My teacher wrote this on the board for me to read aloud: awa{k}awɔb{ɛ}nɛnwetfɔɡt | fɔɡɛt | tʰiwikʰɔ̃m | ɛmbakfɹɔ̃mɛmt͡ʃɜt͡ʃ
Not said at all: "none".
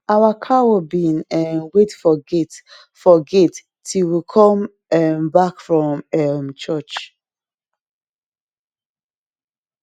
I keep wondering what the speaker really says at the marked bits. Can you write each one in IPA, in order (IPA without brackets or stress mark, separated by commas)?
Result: kʰ, i